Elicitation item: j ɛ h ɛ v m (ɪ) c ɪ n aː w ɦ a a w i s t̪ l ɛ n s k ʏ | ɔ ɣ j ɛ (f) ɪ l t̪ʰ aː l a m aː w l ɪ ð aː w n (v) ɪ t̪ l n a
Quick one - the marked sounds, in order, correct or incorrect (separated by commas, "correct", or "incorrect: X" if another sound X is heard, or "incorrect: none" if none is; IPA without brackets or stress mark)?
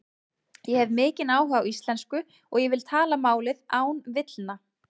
incorrect: ɪː, incorrect: v, correct